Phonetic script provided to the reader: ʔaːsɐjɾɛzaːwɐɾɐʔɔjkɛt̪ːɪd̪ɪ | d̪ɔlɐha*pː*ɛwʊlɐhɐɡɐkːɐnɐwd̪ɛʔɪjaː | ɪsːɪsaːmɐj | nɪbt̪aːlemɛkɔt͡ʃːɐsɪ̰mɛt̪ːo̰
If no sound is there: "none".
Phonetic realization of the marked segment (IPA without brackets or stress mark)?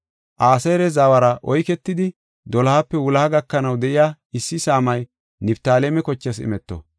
pː